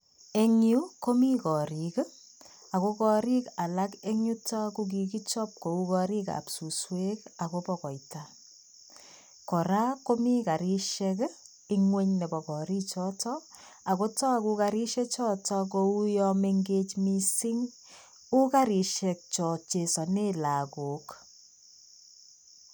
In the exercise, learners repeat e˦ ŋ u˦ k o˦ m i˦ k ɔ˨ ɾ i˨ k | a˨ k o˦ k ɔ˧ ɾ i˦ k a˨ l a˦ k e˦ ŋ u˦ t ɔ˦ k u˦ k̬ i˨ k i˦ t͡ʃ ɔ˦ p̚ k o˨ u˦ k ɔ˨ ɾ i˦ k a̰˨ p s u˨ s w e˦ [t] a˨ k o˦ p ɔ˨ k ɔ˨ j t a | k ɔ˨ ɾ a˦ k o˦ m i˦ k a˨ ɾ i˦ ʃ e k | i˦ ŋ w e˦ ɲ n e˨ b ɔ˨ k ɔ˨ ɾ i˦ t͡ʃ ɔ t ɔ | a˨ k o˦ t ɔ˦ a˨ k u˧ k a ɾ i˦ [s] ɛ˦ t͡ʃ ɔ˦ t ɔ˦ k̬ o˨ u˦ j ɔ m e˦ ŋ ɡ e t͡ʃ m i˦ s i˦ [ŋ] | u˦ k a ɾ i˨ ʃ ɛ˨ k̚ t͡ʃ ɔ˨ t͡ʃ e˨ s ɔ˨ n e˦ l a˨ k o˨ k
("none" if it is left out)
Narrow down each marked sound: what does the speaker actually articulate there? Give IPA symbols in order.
k, ʃ, ŋ

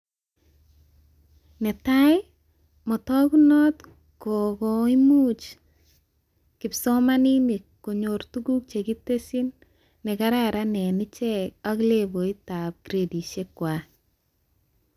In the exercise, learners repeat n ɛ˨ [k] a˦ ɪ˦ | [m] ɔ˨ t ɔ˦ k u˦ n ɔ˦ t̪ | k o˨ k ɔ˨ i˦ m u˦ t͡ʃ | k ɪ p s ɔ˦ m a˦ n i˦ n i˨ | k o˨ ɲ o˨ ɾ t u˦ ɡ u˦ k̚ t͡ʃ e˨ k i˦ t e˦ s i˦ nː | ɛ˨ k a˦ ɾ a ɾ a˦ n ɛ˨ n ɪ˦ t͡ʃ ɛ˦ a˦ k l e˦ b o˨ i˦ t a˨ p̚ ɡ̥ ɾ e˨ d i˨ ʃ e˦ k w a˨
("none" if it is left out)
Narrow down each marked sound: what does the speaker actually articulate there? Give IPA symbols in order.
t, m

